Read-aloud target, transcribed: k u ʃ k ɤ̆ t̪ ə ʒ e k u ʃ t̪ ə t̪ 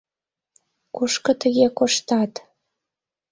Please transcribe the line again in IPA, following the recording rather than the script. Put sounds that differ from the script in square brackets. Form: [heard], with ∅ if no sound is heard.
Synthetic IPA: k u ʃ k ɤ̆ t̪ ə [ɣ] e k [o] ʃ t̪ [ɑ] t̪